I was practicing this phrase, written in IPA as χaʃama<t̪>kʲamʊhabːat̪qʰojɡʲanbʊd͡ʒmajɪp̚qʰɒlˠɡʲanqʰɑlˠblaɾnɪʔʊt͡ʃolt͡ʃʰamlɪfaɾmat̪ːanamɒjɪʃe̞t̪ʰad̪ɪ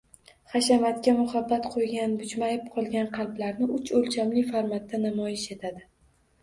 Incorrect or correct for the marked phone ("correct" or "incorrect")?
correct